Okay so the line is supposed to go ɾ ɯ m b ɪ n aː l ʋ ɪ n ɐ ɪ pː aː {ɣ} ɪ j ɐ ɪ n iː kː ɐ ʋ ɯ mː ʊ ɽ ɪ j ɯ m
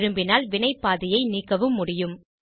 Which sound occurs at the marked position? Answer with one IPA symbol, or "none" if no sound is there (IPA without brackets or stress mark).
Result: ð